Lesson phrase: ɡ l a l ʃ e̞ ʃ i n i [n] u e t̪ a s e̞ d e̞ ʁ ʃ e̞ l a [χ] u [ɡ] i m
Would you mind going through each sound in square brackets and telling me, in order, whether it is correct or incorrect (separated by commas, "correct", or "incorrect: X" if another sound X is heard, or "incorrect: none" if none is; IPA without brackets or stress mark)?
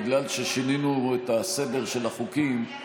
correct, correct, incorrect: k